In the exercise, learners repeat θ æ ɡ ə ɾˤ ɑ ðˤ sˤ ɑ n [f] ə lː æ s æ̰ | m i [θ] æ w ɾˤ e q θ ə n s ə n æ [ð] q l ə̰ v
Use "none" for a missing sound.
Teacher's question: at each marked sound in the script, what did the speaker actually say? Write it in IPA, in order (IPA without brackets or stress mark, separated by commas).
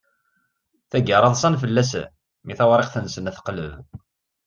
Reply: f, θ, θ